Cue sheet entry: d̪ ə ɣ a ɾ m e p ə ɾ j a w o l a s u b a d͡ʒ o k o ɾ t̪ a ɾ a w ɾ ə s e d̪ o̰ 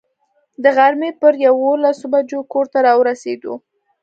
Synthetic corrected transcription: d̪ ə ɣ a ɾ m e p ə ɾ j a w o l a s o b a d͡ʒ o k o ɾ t̪ a ɾ ɑ w ɾ a s e d̪ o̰